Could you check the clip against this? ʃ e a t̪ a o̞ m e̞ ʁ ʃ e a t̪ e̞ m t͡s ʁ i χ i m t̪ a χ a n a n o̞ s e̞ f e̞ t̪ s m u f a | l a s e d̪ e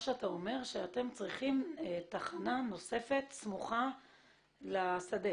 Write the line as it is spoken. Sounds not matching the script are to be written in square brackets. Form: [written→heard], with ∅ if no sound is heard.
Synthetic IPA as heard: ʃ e a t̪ a o̞ m e̞ ʁ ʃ e a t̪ e̞ m t͡s ʁ i χ i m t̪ a χ a n a n o̞ s e̞ f e̞ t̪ s m u [f→χ] a | l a s [e→a] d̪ e

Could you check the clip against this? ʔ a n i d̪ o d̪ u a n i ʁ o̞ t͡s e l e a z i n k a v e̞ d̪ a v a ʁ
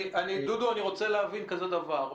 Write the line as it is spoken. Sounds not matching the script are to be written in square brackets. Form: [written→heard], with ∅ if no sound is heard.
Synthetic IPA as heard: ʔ a n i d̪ [o→u] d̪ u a n i ʁ o̞ t͡s e l e a [z→v] i n k a [v→z] e̞ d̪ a v a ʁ

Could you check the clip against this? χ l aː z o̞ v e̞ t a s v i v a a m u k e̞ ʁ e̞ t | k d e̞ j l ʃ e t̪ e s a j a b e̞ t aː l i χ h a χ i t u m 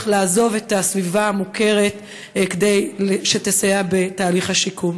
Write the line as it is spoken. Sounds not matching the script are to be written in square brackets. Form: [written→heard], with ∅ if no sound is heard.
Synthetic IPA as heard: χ l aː z o̞ v e̞ t a s v i v a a m u k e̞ ʁ e̞ t | k d e̞ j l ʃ e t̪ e s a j a b e̞ t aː l i χ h a [χ→ʃ] i [t→k] u m

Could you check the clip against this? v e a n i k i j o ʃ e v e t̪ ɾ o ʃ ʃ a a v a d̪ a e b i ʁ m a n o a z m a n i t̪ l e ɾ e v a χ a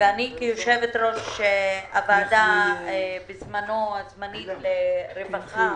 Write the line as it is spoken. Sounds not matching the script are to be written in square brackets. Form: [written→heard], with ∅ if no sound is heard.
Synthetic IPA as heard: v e a n i k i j o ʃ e v e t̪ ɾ o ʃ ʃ [a→e] a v a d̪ a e b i [ʁ→z] m a n o a z m a n i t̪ l e ɾ e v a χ a

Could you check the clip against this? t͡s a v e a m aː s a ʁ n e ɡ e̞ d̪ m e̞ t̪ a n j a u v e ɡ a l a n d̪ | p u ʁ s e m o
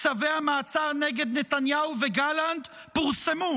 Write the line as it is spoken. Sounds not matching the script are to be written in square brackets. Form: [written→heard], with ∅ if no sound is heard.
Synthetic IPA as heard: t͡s a v e a m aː [s→t͡s] a ʁ n e ɡ e̞ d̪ [m→n] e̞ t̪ a n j a u v e ɡ a l a n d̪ | p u ʁ s e m [o→u]

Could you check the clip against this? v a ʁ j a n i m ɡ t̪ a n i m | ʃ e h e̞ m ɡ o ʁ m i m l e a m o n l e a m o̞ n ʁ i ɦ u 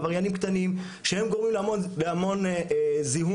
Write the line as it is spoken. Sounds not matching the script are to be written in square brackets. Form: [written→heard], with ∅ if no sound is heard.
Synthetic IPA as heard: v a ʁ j a n i m [ɡ→k] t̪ a n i m | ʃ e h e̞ m ɡ o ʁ m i m l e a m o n l e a m o̞ n [ʁ→z] i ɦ u

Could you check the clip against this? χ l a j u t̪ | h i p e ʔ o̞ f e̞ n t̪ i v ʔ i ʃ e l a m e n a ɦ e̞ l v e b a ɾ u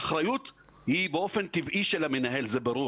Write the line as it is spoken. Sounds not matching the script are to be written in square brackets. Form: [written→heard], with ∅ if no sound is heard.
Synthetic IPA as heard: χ [l→ɾ] a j u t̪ | h i [p→b] e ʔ o̞ f e̞ n t̪ i v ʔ i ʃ e l a m e n a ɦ e̞ l [v→z] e b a ɾ u

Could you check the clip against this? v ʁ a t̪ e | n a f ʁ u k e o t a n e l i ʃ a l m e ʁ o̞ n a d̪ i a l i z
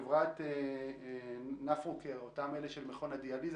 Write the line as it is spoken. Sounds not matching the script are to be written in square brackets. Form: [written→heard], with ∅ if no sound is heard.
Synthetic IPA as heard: v ʁ a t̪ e | n a f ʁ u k e o t a [n→m] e l [i→e] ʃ [a→e] l m e [ʁ→χ] o̞ n a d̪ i a l i z

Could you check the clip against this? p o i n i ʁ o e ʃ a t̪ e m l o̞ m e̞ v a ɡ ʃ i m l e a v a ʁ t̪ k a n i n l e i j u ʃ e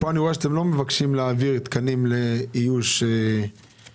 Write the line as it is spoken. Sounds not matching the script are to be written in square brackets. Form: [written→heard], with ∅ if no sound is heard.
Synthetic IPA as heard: p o [i→a] n i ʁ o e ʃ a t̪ e m l o̞ m e̞ v a [ɡ→k] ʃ i m l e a v [a→i] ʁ t̪ k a n i [n→m] l e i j u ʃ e

